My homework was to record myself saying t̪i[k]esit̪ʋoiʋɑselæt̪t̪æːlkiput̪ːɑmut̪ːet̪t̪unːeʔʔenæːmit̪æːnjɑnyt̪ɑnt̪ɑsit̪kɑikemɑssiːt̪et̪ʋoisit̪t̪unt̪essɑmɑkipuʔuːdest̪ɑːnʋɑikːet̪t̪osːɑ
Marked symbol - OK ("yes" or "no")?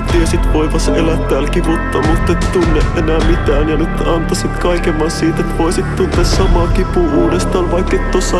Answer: no